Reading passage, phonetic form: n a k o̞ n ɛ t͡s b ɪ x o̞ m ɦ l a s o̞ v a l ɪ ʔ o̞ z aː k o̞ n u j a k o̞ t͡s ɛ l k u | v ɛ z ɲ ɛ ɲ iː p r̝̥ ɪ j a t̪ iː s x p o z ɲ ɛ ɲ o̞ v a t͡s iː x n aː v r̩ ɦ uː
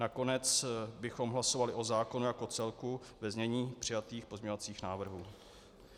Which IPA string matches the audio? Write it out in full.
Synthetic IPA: n a k o̞ n ɛ t͡s b ɪ x o̞ m ɦ l a s o̞ v a l ɪ ʔ o̞ z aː k o̞ n u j a k o̞ t͡s ɛ l k u | v ɛ z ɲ ɛ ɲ iː p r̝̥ ɪ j a t̪ iː x p o z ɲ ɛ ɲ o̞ v a t͡s iː x n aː v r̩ ɦ uː

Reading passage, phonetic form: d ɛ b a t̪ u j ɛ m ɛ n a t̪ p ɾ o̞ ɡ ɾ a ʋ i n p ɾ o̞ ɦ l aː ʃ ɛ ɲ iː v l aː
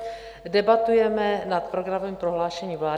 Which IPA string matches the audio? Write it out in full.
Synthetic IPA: d ɛ b a t̪ u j ɛ m ɛ n a t̪ p ɾ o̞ ɡ ɾ a v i m p ɾ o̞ ɦ l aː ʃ ɛ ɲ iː v l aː

